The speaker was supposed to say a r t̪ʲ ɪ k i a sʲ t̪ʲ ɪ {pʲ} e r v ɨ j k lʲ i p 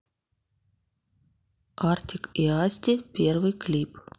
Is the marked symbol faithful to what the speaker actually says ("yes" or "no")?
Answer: yes